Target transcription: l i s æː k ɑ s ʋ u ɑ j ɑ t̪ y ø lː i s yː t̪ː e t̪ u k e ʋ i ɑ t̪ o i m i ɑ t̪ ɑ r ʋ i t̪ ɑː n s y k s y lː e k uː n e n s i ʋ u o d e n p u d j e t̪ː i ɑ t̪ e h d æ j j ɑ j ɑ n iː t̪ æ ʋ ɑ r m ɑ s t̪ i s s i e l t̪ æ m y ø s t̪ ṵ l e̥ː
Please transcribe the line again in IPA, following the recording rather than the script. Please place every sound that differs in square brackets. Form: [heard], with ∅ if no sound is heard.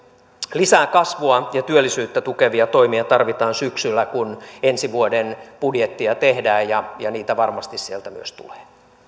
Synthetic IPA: l i s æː k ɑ s ʋ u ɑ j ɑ t̪ y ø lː i s yː t̪ː [æ] t̪ u k e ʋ i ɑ t̪ o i m i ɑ t̪ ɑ r ʋ i t̪ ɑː n s y k s y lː [æ] k [u] n e n s i ʋ u o d e n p u d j e t̪ː i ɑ t̪ e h d [æː] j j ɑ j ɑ n iː t̪ æ ʋ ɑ r m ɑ s t̪ i s s i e l t̪ æ m y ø s t̪ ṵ l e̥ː